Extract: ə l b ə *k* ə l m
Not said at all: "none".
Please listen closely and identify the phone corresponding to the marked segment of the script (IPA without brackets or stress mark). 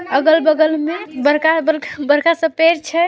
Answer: ɡ